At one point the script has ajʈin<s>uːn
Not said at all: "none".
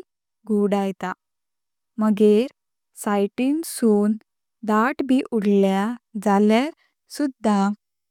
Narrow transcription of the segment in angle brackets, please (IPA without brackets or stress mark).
s